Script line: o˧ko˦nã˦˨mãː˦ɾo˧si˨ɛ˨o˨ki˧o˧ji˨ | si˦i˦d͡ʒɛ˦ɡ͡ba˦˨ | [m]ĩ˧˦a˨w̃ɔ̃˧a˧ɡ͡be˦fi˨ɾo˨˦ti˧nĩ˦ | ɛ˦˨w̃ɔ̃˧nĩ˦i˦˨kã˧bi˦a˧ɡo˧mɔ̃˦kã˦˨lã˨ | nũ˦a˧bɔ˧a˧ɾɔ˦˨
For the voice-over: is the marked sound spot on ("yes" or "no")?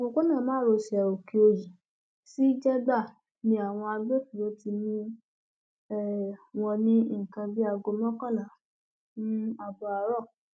no